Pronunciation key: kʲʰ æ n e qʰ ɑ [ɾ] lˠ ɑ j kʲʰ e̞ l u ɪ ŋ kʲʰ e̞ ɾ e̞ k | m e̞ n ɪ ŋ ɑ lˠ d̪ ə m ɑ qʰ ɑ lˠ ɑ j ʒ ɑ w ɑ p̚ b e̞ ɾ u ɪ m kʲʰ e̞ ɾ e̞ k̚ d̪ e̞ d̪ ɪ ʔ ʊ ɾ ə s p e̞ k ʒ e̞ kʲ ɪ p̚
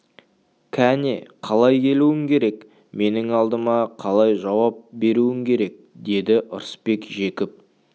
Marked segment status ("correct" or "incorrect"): incorrect